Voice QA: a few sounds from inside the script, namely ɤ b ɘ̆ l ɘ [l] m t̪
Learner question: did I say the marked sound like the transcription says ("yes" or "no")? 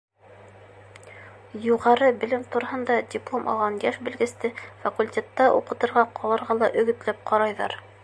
no